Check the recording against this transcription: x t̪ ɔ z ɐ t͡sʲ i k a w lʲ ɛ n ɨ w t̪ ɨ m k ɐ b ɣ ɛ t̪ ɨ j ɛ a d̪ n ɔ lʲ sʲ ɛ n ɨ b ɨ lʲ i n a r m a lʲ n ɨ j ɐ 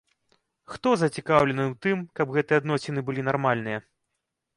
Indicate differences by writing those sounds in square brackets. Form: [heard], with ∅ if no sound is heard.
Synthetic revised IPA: x t̪ ɔ z ɐ t͡sʲ i k a w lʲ ɛ n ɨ w t̪ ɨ m k ɐ b ɣ ɛ t̪ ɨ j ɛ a d̪ n ɔ [∅] sʲ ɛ n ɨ b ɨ lʲ i n a r m a lʲ n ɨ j ɐ